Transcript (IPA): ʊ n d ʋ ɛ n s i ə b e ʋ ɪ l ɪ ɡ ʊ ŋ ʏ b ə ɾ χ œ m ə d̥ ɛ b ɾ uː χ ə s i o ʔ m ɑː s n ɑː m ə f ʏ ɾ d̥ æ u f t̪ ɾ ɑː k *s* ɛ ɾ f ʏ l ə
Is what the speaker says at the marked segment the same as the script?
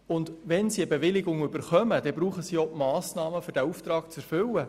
no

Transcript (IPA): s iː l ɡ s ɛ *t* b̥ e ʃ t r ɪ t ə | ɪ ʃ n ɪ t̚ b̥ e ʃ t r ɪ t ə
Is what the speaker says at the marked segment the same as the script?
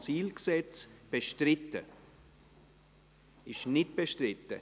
no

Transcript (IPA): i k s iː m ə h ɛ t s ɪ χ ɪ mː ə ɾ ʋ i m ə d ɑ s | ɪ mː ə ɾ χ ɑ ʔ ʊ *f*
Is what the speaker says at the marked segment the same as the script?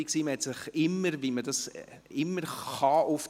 yes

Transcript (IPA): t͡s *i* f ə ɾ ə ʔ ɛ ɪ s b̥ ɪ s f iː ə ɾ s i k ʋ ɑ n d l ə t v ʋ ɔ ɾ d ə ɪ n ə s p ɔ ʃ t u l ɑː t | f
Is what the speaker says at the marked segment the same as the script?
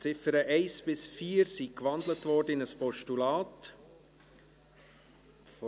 no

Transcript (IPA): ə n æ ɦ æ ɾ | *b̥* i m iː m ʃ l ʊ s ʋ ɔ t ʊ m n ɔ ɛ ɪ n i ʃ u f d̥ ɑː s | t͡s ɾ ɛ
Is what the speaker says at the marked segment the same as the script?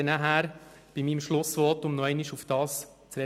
yes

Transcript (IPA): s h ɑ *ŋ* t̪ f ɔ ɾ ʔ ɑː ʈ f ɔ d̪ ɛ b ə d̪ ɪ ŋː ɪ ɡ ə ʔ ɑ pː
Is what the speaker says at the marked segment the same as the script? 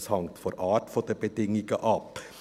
yes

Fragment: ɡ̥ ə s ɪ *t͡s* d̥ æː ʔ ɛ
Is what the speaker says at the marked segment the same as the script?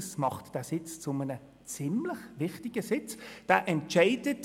yes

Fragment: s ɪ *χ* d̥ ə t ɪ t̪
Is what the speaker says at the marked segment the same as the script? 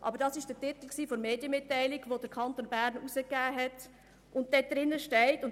no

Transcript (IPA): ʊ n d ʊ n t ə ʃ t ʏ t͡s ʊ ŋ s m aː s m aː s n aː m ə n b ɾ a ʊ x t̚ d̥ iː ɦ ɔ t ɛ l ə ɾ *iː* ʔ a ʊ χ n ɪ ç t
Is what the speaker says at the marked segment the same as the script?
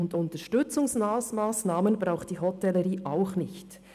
yes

